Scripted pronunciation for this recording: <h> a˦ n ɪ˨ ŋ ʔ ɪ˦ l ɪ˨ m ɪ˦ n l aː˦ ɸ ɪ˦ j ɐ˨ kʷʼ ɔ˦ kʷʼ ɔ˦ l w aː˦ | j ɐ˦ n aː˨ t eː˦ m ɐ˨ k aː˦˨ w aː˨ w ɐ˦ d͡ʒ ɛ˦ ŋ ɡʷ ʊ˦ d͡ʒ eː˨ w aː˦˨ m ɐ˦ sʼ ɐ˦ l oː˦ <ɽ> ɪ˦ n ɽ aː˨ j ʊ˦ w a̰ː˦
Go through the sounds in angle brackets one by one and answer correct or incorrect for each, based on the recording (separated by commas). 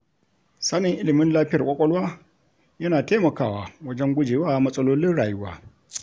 incorrect, incorrect